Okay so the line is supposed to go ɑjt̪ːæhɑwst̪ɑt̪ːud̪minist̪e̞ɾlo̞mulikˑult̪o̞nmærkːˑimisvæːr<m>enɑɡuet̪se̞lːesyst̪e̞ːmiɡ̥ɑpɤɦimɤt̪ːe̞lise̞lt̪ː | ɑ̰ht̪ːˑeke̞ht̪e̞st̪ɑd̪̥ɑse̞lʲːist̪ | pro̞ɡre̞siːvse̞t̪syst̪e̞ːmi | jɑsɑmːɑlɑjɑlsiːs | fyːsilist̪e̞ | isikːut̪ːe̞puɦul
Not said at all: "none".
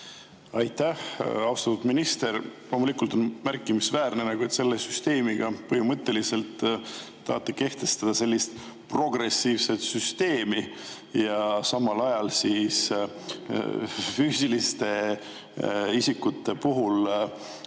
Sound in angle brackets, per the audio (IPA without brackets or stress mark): n